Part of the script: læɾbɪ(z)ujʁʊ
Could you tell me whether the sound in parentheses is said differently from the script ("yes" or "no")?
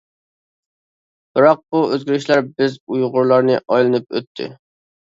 no